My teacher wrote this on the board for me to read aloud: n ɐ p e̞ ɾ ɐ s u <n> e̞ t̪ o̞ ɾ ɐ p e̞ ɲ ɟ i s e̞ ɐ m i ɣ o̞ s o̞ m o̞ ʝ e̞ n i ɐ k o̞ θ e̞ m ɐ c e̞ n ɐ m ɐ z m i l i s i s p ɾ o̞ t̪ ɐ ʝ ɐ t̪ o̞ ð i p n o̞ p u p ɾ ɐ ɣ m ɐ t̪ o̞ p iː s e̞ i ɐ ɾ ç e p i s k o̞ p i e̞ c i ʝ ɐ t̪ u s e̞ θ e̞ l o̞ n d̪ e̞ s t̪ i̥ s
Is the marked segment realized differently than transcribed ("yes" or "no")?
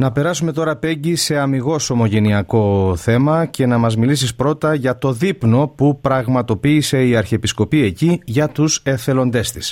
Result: yes